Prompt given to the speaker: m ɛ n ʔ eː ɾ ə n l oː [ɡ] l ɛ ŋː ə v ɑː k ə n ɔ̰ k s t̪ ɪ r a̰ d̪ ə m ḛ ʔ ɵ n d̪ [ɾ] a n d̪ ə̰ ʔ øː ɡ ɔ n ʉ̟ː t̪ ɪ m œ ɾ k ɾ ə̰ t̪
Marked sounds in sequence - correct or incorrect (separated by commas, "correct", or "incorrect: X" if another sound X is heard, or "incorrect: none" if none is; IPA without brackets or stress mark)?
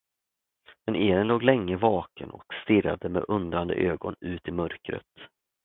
correct, correct